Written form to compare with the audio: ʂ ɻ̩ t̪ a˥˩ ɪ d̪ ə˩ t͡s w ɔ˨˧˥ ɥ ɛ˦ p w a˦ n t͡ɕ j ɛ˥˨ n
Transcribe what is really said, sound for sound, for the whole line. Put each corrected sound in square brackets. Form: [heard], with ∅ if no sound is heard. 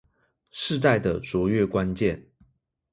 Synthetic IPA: ʂ ɻ̩ t̪ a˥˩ ɪ d̪ ə˩ t͡s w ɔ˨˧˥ ɥ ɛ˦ [k] w a˦ n t͡ɕ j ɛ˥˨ n

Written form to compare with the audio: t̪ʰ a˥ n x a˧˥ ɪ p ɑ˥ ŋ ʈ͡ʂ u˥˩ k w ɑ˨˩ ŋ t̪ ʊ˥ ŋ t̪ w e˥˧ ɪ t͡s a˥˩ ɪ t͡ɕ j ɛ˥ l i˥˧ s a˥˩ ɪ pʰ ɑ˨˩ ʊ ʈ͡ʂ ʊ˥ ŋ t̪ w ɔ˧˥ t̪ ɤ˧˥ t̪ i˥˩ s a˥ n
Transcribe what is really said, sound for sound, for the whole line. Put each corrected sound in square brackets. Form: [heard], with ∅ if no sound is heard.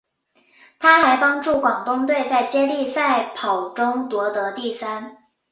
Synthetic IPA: t̪ʰ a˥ [∅] x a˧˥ ɪ p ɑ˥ ŋ ʈ͡ʂ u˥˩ k w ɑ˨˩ ŋ t̪ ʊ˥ ŋ t̪ w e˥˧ ɪ t͡s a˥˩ ɪ t͡ɕ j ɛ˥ l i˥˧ s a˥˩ ɪ pʰ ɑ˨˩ ʊ ʈ͡ʂ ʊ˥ ŋ t̪ w ɔ˧˥ t̪ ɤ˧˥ t̪ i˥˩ s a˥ n

